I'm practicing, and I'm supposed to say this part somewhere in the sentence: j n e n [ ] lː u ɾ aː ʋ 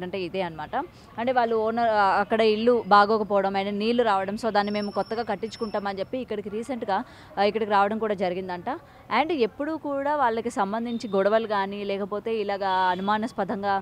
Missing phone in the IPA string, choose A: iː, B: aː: A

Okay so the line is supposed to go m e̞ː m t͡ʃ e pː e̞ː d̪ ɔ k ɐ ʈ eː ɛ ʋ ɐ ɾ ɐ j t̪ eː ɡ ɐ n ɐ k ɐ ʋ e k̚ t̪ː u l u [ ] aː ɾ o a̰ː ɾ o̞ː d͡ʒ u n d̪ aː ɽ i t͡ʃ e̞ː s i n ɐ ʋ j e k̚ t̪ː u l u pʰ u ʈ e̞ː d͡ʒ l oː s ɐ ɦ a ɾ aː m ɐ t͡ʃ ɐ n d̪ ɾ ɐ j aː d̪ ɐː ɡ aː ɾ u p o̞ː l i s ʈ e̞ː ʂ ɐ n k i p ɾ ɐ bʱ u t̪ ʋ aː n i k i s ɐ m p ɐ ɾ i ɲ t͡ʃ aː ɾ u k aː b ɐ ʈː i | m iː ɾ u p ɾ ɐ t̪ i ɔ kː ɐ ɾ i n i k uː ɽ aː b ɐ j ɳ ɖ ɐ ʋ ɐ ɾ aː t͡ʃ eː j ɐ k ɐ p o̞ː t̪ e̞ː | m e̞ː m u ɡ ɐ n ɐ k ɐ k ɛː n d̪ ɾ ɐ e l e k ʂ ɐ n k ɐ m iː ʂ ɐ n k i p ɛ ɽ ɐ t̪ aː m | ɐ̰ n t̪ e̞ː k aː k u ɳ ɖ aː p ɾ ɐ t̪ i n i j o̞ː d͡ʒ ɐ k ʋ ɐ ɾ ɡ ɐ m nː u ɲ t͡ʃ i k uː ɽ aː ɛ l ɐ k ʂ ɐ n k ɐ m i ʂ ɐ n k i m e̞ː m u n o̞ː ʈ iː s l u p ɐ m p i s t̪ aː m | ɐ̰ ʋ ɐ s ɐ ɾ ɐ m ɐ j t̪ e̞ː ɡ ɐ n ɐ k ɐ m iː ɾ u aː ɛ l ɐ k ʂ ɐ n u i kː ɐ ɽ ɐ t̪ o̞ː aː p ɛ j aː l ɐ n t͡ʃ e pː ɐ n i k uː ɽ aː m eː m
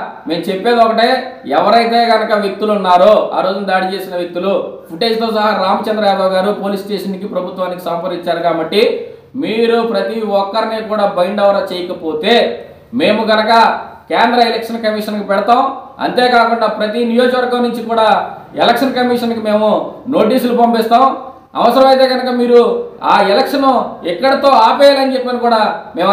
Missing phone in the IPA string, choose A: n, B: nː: B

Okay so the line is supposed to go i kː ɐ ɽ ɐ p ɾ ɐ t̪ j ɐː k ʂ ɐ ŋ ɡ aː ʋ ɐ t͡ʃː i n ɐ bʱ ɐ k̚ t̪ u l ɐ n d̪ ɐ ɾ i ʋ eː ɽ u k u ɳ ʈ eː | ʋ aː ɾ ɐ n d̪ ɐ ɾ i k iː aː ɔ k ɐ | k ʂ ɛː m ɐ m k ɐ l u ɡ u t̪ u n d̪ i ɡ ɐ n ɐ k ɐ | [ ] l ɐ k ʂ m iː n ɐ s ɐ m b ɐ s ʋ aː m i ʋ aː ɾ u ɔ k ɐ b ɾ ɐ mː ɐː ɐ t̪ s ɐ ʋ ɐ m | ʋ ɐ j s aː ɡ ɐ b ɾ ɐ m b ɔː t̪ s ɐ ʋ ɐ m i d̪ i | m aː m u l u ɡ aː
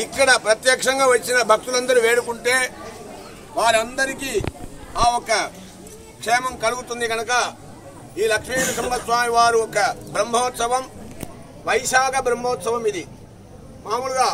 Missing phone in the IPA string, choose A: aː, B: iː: B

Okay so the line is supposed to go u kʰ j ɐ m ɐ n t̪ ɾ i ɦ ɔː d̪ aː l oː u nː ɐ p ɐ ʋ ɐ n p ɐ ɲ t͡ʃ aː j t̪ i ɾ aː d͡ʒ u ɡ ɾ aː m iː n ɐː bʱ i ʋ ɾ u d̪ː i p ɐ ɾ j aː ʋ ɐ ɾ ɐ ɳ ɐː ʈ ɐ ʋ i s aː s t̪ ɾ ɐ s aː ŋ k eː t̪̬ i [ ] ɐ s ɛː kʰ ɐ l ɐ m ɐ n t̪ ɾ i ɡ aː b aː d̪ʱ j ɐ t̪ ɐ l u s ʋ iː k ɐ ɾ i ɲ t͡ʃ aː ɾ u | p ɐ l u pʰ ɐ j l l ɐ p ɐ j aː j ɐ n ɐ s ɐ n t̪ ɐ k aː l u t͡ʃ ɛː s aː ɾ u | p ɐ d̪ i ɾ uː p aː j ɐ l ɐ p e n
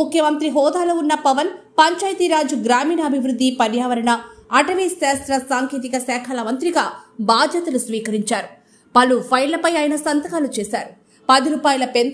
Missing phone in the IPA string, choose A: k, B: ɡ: A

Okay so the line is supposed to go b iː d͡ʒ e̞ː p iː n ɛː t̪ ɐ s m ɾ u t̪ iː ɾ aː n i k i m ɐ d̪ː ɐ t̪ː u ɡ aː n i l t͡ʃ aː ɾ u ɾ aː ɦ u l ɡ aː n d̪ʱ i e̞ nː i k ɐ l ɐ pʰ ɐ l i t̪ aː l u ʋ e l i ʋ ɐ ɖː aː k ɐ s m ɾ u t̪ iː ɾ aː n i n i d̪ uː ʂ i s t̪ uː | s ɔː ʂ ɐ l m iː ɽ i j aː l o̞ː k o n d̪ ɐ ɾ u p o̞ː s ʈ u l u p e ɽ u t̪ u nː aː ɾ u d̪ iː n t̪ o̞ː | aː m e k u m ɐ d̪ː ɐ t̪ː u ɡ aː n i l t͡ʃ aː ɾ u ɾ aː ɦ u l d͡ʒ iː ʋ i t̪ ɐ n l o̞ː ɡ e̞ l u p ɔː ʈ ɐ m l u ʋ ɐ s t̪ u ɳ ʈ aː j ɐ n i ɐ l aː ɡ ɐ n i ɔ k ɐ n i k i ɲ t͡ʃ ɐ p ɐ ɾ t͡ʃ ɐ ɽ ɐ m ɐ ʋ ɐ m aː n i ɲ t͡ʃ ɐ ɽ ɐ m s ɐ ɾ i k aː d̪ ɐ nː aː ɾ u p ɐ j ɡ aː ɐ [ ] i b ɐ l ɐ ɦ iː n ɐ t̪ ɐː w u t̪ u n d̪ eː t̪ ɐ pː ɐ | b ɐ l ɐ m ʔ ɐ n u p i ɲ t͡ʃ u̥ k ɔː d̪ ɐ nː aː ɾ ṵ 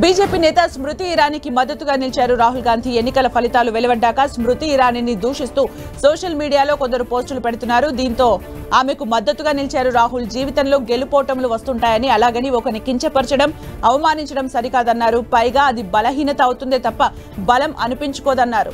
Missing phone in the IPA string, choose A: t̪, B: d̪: B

